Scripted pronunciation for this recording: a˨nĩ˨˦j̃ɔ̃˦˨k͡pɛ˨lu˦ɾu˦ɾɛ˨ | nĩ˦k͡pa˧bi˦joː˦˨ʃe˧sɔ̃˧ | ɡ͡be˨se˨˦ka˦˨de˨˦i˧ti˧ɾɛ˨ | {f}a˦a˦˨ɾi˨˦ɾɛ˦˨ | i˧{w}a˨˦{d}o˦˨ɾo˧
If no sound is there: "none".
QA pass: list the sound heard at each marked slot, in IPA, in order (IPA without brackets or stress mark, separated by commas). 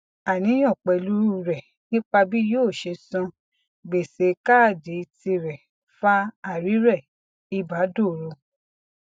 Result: f, b, d